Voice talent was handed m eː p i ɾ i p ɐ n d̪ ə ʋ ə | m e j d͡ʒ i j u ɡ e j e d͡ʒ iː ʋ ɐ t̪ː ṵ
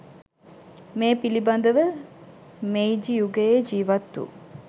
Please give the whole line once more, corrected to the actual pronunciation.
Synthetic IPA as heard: m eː p i l i b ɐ n d̪ ə ʋ ə | m e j d͡ʒ i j u ɡ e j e d͡ʒ iː ʋ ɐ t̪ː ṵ